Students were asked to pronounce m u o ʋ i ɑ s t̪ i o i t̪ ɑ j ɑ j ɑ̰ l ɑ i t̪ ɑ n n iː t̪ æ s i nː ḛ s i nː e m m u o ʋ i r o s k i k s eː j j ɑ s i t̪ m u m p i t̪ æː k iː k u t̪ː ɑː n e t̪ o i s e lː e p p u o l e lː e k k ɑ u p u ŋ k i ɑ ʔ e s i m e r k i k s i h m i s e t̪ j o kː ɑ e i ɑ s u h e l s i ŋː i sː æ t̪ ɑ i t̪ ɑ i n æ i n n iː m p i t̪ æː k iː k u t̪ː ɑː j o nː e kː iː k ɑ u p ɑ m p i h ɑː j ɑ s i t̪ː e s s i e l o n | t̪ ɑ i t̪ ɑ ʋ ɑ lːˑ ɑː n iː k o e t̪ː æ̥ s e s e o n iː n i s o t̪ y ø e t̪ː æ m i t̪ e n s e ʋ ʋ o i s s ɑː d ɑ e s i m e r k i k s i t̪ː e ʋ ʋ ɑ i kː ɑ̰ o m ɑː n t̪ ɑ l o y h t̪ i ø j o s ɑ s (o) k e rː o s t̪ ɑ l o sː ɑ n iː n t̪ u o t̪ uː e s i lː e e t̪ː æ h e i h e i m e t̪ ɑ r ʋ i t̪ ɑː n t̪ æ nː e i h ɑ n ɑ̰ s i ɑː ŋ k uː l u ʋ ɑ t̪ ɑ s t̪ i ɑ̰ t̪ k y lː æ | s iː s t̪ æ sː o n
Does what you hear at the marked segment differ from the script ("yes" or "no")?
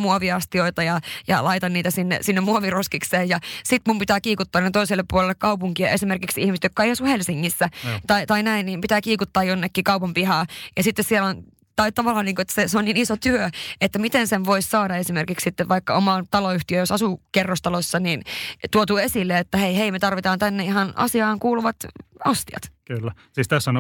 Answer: yes